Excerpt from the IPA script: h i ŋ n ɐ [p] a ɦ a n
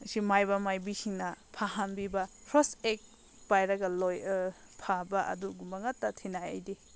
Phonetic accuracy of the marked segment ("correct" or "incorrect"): incorrect